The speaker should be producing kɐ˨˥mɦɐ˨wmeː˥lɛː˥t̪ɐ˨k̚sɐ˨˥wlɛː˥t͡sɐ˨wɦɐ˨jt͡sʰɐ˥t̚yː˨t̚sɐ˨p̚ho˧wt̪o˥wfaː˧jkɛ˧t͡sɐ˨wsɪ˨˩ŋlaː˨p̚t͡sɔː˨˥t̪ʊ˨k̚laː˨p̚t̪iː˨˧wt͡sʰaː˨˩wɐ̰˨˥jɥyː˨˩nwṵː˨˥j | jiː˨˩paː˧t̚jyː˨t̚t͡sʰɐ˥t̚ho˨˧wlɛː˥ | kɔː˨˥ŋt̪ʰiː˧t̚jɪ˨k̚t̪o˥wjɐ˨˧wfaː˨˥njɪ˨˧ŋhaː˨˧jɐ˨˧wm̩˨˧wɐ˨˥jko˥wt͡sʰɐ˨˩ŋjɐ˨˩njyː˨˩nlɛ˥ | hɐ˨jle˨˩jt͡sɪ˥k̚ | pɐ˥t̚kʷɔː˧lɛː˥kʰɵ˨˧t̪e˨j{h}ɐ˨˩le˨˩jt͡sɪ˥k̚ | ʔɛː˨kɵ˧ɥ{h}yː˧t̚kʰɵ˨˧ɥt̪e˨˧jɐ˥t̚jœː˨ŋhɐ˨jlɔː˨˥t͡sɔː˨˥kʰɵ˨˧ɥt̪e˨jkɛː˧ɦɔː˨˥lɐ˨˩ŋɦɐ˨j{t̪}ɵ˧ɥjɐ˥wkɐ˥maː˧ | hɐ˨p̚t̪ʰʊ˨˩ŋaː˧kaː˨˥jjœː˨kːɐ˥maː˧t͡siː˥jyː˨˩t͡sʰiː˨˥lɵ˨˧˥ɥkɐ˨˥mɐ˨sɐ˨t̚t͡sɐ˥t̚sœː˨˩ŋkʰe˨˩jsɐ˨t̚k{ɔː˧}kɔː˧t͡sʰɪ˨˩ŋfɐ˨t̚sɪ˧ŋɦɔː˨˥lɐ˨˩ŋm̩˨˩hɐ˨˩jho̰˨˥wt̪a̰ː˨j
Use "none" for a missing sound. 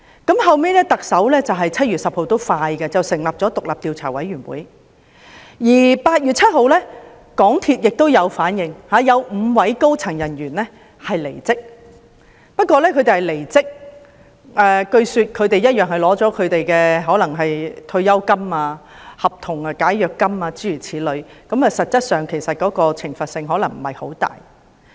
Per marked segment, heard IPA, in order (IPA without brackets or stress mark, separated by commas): h, s, t̪ʰ, ɔː˨˥